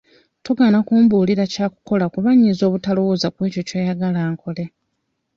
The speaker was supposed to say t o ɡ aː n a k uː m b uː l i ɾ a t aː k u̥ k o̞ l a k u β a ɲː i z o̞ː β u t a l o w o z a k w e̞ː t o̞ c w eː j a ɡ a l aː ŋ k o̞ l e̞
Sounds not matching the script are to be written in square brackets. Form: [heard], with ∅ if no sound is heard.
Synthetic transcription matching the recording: t o ɡ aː n a k uː m b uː l i ɾ a [c] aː k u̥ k o̞ l a k u β a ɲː i z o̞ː β u t a l o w o z a k w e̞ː [c] o̞ c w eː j a ɡ a l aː ŋ k o̞ l e̞